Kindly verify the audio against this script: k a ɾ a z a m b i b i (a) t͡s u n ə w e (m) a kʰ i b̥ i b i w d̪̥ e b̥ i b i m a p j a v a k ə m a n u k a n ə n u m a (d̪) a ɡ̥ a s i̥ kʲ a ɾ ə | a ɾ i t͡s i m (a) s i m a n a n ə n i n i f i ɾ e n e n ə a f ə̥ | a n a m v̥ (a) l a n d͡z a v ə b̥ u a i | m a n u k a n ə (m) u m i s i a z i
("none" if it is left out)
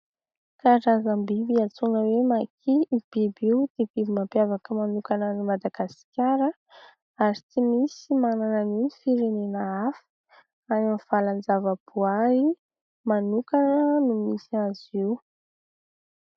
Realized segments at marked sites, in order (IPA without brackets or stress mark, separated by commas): a, m, d̪, i, a, n